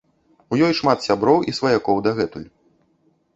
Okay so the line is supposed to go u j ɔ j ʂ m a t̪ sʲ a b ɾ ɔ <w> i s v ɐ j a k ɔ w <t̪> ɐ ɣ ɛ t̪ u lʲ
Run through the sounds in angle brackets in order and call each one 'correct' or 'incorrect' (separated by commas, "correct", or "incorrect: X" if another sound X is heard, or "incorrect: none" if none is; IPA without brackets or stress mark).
correct, incorrect: d̪